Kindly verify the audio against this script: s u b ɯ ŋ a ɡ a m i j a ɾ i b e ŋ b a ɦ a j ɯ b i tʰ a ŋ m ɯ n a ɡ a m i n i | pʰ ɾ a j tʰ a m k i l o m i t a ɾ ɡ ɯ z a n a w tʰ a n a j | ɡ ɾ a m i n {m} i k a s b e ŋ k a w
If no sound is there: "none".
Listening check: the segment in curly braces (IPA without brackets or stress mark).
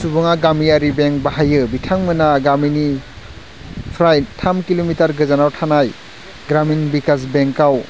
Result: b